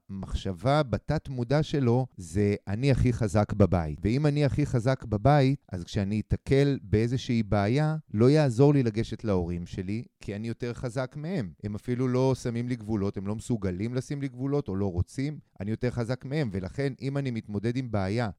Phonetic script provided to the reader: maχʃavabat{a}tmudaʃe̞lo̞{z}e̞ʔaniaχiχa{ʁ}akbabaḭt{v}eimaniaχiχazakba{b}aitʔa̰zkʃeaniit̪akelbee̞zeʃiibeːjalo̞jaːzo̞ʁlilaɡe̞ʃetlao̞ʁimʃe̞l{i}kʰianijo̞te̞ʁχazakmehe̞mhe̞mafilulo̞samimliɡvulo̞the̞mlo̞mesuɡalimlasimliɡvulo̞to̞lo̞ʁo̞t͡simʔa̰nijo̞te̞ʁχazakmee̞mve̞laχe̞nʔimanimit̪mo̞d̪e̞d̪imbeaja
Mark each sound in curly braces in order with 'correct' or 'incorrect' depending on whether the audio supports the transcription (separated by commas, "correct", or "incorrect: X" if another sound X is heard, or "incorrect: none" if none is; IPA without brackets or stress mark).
correct, correct, incorrect: z, correct, correct, correct